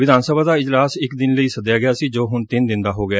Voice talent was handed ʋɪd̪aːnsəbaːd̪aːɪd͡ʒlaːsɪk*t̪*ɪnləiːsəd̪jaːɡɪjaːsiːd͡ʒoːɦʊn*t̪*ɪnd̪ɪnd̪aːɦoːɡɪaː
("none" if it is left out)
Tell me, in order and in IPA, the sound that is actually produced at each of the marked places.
d̪, t̪

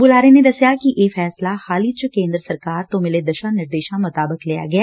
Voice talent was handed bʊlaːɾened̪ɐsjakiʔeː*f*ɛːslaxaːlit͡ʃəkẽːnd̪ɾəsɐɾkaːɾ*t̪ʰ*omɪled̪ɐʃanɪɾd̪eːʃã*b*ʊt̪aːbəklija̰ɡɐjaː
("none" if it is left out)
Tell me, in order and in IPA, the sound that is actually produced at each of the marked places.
f, t̪, m

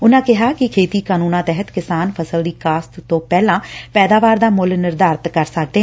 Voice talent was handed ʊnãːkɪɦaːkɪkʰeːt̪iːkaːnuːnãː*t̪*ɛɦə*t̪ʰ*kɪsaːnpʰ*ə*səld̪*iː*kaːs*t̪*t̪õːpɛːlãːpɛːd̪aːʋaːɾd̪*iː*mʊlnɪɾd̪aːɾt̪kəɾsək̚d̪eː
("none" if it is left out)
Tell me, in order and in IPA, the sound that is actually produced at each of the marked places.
t̪, t̪, ə, iː, t̪, aː

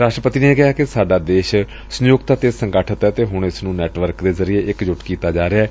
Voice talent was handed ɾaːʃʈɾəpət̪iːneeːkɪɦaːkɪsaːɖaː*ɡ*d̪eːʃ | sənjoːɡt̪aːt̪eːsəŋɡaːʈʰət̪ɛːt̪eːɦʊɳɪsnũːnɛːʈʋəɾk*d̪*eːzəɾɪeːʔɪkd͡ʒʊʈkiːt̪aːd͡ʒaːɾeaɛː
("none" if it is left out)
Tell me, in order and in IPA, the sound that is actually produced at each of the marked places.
none, d̪

